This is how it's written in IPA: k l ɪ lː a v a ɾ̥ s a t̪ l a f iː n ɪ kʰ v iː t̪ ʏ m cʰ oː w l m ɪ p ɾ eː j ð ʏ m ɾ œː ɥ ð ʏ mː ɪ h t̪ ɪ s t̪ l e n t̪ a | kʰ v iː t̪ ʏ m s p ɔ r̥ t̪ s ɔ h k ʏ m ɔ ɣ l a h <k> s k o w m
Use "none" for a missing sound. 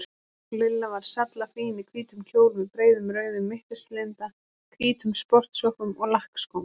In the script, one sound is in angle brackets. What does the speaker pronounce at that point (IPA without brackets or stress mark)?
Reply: k